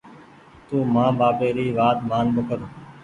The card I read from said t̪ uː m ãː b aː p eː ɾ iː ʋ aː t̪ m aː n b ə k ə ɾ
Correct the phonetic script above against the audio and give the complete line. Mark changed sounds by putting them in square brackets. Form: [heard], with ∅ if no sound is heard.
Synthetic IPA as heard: t̪ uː m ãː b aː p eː ɾ iː ʋ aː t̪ m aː n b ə k ə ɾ